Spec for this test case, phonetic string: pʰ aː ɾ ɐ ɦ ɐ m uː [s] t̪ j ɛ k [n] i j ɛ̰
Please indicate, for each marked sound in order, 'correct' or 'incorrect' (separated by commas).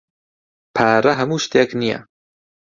incorrect, correct